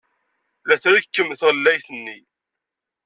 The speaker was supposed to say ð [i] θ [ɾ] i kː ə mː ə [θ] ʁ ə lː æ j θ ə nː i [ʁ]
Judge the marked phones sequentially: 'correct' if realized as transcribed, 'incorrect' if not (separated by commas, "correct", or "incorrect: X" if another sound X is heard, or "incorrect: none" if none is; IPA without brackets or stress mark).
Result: incorrect: æ, correct, correct, incorrect: none